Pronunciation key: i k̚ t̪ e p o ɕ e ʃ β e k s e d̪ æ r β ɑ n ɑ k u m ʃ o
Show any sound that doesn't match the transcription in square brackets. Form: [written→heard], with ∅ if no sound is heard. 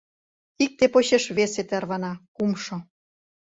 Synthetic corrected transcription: i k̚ t̪ e p o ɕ e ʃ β e [k→∅] s e [d̪→t̪] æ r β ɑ n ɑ k u m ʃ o